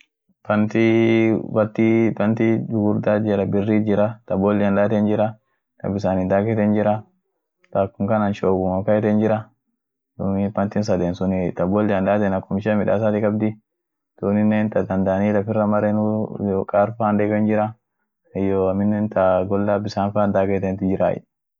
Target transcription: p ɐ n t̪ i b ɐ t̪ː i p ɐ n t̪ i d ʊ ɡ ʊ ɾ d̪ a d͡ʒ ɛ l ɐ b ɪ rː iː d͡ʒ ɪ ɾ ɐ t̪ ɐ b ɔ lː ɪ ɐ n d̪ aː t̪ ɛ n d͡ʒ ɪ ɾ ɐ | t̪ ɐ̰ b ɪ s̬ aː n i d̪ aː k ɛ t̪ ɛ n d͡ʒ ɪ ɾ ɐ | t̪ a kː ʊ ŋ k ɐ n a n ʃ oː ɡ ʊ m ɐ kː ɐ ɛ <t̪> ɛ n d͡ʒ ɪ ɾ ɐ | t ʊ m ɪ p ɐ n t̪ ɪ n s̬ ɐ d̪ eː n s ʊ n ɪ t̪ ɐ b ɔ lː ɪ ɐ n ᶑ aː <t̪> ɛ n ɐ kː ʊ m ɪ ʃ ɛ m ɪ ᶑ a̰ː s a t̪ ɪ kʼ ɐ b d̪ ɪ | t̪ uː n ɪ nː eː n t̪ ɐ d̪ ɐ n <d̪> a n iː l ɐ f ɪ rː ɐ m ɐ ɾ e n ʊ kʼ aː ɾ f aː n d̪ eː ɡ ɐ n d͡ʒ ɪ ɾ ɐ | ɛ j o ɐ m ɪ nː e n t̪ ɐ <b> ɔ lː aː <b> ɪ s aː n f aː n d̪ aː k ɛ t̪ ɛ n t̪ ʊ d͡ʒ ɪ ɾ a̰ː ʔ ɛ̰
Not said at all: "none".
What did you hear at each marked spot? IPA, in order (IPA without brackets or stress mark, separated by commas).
t̪, t̪, d̪, ɡ, b